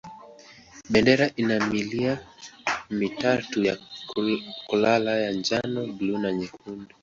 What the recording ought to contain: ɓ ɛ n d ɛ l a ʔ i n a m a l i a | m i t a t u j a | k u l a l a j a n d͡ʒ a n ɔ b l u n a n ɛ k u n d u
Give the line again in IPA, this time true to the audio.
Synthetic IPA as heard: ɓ ɛ n d ɛ ɾ a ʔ i n a m i l i a | m i t a t u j a | k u l a l a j a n d͡ʒ a n ɔ b l u n a ɲ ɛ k u n d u